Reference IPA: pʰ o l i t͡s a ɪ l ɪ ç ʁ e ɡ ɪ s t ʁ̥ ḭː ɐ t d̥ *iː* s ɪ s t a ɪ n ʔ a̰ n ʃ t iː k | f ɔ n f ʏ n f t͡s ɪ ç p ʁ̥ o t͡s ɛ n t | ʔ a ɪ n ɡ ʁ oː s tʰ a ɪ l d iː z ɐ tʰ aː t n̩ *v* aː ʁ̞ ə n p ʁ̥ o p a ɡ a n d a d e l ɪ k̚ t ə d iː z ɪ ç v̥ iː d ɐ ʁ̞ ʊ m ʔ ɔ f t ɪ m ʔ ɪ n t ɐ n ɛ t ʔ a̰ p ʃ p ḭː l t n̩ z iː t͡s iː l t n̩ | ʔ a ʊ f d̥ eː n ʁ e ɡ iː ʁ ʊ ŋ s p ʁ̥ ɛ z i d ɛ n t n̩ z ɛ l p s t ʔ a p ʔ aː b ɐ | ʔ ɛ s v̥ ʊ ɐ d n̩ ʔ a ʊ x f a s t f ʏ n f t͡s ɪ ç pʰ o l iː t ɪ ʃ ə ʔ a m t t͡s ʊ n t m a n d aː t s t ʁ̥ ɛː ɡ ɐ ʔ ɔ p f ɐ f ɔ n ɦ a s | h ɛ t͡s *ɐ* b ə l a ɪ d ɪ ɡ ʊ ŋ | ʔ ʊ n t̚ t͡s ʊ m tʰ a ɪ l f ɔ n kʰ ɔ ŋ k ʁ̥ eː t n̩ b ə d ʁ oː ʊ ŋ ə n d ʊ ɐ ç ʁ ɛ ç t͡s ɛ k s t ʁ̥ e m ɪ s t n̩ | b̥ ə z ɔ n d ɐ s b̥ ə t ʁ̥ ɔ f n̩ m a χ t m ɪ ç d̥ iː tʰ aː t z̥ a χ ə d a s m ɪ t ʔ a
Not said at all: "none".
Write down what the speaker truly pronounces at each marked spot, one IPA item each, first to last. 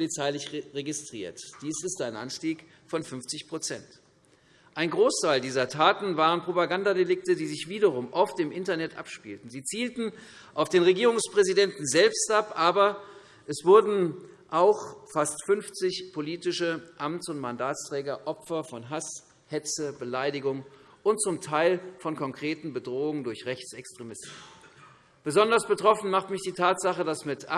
iː, v, ə

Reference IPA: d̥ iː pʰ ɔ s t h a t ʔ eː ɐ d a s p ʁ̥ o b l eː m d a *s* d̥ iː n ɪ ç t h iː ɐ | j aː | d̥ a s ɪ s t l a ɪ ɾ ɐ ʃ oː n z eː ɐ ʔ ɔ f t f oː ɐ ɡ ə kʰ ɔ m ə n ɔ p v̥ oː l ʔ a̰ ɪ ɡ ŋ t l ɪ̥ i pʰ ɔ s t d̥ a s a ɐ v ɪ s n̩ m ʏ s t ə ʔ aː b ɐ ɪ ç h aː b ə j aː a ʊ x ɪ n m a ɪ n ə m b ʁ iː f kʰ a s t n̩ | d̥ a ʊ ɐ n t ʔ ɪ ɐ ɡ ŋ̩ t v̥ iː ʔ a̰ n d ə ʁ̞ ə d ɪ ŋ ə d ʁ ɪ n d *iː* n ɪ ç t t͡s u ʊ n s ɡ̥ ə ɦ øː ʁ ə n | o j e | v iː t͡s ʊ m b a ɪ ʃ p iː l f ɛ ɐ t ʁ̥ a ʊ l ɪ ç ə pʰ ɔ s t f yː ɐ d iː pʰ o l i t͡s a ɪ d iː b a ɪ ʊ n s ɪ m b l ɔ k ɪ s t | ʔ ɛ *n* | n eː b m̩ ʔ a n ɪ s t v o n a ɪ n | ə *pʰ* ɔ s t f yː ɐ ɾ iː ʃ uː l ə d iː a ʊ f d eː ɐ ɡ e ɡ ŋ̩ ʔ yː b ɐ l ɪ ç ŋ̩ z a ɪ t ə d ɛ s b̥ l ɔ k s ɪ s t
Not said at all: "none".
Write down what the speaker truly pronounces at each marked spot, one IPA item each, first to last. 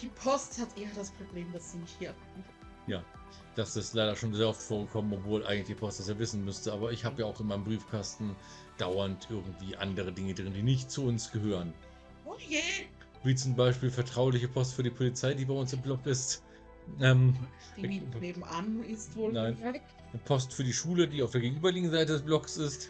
s, iː, m, pʰ

